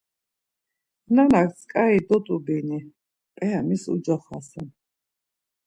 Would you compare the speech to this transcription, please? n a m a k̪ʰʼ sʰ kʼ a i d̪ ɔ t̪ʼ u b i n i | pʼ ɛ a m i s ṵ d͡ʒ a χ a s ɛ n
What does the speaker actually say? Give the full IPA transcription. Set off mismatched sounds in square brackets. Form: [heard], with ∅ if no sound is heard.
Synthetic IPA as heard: n a [n] a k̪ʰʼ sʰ kʼ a i d̪ ɔ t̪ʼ u b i n i | pʼ ɛ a m i s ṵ d͡ʒ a χ a s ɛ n